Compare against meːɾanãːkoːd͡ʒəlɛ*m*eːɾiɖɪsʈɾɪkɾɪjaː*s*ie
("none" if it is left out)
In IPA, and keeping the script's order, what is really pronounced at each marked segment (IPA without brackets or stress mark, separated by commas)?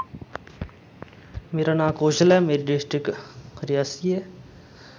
m, s